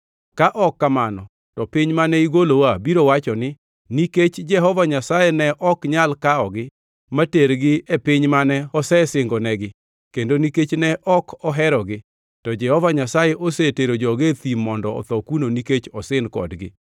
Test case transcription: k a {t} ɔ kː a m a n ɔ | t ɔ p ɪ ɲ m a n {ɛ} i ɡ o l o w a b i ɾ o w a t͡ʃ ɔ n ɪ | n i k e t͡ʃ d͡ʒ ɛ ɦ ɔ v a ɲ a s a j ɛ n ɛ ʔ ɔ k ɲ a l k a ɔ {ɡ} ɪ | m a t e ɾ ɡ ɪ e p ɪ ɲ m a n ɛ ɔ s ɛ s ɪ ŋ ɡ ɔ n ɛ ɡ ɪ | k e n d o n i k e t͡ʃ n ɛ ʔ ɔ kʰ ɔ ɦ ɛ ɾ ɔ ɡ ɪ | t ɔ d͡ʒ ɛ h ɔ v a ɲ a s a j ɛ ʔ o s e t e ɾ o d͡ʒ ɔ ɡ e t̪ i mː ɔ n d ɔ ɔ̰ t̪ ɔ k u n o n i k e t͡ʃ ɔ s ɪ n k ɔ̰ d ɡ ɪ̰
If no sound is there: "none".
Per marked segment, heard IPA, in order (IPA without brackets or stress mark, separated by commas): ʔ, ɛ, ɡ